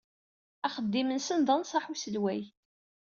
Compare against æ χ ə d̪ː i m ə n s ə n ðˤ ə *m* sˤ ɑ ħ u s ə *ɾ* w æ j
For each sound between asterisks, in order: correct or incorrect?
incorrect: n, incorrect: l

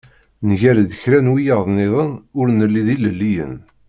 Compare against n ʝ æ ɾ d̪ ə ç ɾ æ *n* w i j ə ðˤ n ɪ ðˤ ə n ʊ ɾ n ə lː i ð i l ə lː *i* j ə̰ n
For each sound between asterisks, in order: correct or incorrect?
correct, correct

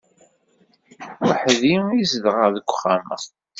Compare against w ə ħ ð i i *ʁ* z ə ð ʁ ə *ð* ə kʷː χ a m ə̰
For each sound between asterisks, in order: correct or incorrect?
incorrect: none, correct

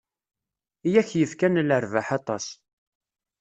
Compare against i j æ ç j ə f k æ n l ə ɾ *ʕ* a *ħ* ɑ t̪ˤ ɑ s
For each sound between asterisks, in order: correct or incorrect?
incorrect: v, correct

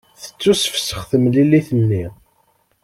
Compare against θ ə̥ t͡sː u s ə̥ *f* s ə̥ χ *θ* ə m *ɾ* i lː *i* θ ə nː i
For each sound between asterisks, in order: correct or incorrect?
correct, correct, incorrect: l, correct

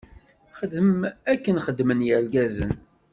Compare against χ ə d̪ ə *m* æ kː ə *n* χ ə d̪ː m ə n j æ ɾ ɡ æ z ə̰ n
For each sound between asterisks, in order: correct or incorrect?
correct, correct

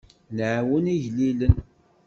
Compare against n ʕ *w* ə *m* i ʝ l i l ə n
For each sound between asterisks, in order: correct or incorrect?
correct, incorrect: n

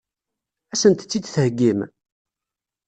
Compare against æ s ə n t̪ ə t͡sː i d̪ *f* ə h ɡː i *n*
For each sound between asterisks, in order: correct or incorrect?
incorrect: θ, incorrect: m

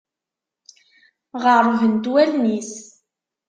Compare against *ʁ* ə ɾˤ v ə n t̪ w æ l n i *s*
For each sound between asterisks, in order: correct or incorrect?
correct, correct

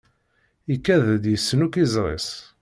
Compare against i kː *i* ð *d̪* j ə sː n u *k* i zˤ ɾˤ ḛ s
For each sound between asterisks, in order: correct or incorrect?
incorrect: æ, correct, correct

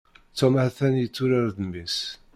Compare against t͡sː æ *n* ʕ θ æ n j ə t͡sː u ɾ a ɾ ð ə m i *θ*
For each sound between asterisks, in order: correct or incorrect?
incorrect: m, incorrect: s

